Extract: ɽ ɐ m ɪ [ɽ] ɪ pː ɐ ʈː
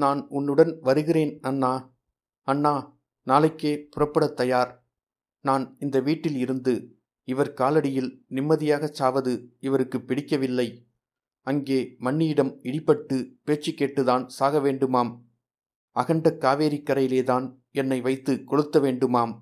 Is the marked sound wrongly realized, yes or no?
no